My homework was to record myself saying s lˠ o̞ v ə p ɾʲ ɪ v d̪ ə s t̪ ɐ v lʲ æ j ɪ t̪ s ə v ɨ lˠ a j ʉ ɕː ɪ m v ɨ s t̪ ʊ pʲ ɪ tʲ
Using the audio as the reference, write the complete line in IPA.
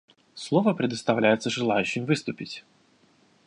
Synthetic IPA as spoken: s lˠ o̞ v ə p ɾʲ ɪ d̪ ə s t̪ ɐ v lʲ æ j ɪ t̪ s ə ʐ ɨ lˠ a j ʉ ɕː ɪ m v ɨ s t̪ ʊ pʲ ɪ tʲ